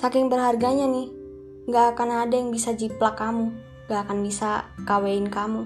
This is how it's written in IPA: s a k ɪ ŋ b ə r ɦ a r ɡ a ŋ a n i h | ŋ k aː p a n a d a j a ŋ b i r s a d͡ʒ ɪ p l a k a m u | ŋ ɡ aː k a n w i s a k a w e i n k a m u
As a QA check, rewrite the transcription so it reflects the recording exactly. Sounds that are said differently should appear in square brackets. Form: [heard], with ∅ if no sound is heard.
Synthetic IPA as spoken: s a k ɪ ŋ b ə r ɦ a r ɡ a [ɲ] a n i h | ŋ [ɡ] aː [k] a n a d a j a ŋ b i [∅] s a d͡ʒ [i] p l a k a m u | ŋ ɡ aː k a n [b] i s a k a w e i n k a m u